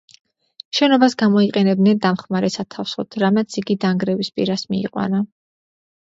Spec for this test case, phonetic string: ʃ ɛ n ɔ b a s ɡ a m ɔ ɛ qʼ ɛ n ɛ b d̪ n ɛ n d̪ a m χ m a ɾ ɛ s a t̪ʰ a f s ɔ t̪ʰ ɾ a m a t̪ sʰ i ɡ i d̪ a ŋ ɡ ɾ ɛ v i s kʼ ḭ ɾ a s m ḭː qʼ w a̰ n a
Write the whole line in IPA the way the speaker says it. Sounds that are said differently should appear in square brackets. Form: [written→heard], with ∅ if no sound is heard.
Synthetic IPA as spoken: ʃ ɛ n ɔ b a s ɡ a m ɔ [ɛ→i] qʼ ɛ n ɛ b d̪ n ɛ n d̪ a m χ m a ɾ ɛ s a t̪ʰ a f s ɔ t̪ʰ ɾ a m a t̪ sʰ i ɡ i d̪ a ŋ ɡ ɾ ɛ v i s [kʼ→pʼ] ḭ ɾ a s m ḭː qʼ w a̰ n a

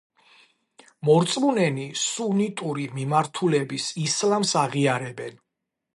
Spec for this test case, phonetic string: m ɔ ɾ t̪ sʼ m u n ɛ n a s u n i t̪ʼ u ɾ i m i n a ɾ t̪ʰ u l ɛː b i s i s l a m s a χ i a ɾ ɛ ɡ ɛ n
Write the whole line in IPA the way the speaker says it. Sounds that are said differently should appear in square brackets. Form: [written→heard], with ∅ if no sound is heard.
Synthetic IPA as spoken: m ɔ ɾ t̪ sʼ m u n ɛ n [a→i] s u n i t̪ʼ u ɾ i m i [n→m] a ɾ t̪ʰ u l [ɛː→ɛ] b i s i s l a m s a [χ→ʁ] i a ɾ ɛ [ɡ→b] ɛ n

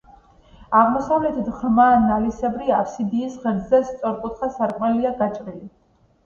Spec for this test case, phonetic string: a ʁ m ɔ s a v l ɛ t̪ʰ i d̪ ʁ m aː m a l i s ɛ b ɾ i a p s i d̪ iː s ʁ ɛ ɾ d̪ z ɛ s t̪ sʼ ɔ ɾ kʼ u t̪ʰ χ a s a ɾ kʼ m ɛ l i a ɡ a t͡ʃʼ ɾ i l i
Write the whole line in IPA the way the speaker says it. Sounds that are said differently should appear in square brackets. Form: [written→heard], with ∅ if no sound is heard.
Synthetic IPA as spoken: a ʁ m ɔ s a v l ɛ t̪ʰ i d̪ ʁ m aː [m→n] a l i s ɛ b ɾ i a p s i d̪ iː s ʁ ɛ ɾ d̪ z ɛ s t̪ sʼ ɔ ɾ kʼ u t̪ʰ χ a s a ɾ kʼ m ɛ l i a ɡ a t͡ʃʼ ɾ i l i

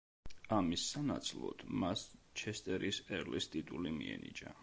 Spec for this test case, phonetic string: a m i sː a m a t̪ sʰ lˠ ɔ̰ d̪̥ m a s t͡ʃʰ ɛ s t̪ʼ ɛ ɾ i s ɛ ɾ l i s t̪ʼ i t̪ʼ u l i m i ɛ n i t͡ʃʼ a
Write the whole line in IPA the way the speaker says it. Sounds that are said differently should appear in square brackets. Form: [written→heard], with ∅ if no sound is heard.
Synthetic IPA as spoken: a m i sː a [m→n] a t̪ sʰ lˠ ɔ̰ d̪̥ m a s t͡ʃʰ ɛ s t̪ʼ ɛ ɾ i s ɛ ɾ l i s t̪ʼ i t̪ʼ u l i m i ɛ n i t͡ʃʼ a

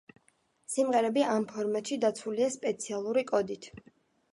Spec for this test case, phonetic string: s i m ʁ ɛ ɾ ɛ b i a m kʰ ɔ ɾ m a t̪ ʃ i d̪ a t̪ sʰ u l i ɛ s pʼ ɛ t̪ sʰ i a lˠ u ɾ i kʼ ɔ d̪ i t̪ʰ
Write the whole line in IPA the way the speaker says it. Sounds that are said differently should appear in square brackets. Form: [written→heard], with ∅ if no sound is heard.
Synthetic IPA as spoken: s i m ʁ ɛ ɾ ɛ b i a m [kʰ→pʰ] ɔ ɾ m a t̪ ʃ i d̪ a t̪ sʰ u l i [ɛ→a] s pʼ ɛ t̪ sʰ i a lˠ u ɾ i kʼ ɔ d̪ i t̪ʰ

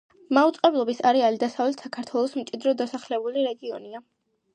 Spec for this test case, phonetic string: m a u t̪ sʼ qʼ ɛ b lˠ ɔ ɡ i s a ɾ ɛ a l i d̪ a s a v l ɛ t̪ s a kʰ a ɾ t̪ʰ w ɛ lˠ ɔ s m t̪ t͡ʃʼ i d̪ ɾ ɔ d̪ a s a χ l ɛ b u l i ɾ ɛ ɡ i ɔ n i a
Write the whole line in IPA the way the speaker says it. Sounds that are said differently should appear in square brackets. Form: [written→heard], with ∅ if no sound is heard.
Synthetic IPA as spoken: m a u t̪ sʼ qʼ ɛ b lˠ ɔ [ɡ→b] i s a ɾ ɛ a l i d̪ a s a v l ɛ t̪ s a kʰ a ɾ t̪ʰ w ɛ lˠ ɔ s m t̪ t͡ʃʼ i d̪ ɾ ɔ d̪ a s a χ l ɛ b u l i ɾ ɛ ɡ i ɔ n i a

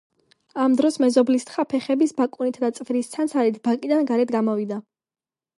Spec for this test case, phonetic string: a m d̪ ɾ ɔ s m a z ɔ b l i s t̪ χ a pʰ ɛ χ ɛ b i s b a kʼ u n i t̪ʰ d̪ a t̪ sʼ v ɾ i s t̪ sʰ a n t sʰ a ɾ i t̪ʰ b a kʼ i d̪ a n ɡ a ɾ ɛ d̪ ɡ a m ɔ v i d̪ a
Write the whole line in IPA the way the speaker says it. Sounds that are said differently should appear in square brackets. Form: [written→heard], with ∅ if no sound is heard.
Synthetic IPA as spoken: a m d̪ ɾ ɔ s m [a→ɛ] z ɔ b l i s t̪ χ a pʰ ɛ χ ɛ b i s b a kʼ u n i t̪ʰ d̪ a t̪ sʼ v ɾ i s t̪ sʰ a n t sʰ a ɾ i t̪ʰ b a kʼ i d̪ a n ɡ a ɾ ɛ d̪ ɡ a m ɔ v i d̪ a

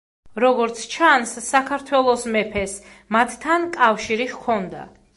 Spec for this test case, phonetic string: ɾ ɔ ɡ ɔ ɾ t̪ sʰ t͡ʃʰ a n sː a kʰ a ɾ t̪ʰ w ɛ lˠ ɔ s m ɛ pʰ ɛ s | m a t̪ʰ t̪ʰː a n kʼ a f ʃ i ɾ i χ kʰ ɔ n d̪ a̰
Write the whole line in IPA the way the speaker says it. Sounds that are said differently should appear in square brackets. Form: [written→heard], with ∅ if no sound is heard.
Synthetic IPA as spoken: ɾ ɔ ɡ ɔ ɾ t̪ sʰ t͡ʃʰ a n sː a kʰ a ɾ t̪ʰ w ɛ lˠ ɔ s m ɛ pʰ ɛ s | m a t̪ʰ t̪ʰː a n kʼ a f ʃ i ɾ i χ kʰ ɔ n d̪ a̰

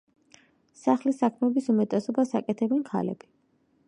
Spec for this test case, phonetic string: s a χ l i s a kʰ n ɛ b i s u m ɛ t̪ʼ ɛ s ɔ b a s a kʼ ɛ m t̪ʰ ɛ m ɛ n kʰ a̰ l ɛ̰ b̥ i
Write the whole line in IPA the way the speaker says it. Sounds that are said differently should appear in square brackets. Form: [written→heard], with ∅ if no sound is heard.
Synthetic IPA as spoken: s a χ l i s a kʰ [n→m] ɛ b i s u m ɛ t̪ʼ ɛ s ɔ b a s a kʼ ɛ [m→∅] t̪ʰ ɛ [m→b] ɛ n kʰ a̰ l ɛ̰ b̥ i

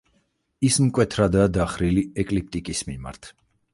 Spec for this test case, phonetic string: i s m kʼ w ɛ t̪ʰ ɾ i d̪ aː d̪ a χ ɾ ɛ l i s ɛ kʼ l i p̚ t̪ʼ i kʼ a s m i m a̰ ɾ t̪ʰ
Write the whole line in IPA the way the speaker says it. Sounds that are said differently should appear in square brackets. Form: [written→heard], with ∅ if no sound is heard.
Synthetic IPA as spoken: i s m kʼ w ɛ t̪ʰ ɾ [i→a] d̪ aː d̪ a χ ɾ [ɛ→i] l i [s→∅] ɛ kʼ l i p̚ t̪ʼ i kʼ [a→i] s m i m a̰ ɾ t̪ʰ

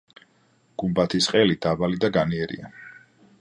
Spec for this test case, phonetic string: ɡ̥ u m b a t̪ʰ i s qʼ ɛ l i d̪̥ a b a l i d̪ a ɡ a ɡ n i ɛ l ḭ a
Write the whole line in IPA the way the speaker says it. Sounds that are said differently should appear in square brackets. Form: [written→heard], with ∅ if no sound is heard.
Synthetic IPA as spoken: ɡ̥ u m b a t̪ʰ i s qʼ ɛ l i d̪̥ a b a l i d̪ a ɡ a [ɡ→∅] n i ɛ [l→ɾ] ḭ a

